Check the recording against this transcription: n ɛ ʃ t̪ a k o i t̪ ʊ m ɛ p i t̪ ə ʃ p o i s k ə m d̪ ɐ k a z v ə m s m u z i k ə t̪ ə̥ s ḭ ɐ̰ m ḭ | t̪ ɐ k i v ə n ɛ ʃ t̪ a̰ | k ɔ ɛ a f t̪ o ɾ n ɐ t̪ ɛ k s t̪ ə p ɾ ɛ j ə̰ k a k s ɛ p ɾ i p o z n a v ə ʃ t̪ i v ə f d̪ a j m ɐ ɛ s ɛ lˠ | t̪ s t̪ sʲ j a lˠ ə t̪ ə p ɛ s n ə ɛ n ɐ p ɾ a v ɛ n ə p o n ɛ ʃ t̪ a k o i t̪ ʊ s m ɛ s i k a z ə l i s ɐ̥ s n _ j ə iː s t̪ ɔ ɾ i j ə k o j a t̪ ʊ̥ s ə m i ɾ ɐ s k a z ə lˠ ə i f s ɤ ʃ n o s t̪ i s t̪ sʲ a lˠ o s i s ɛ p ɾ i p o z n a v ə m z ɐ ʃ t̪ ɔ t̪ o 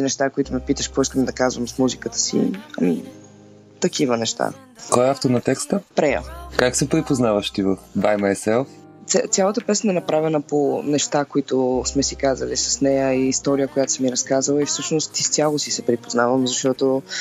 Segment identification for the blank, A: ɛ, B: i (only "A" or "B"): A